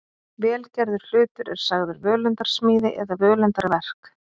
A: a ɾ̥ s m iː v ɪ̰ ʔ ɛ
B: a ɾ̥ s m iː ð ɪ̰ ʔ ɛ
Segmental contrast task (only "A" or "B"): B